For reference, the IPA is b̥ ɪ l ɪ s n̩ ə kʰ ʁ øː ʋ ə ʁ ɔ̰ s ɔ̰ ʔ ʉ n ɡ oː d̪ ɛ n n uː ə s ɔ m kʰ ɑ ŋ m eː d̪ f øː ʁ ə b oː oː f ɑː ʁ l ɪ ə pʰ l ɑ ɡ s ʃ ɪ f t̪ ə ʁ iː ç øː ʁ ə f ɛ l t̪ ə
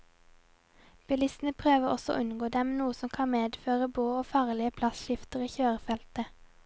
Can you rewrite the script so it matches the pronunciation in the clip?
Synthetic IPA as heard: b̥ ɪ l ɪ s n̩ ə pʰ ʁ øː ʋ ə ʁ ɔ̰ s ɔ̰ ʔ ʉ n ɡ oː d̪ ɛ m n uː ə s ɔ m kʰ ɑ n m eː d̪ f øː ʁ ə b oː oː f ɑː ʁ l ɪ ə pʰ l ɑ s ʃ ɪ f t̪ ə ʁ iː ç øː ʁ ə f ɛ l t̪ ə